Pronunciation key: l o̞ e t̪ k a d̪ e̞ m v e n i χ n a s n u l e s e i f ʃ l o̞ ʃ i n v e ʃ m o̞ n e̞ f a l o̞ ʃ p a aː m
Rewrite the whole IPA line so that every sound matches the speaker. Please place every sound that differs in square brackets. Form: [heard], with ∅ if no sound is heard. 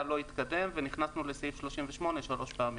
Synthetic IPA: l o̞ [i] t̪ k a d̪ e̞ m v e n i χ n a s n u l e s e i f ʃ l o̞ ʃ i [m] v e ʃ m o̞ n e̞ [ʃ] a l o̞ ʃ p a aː m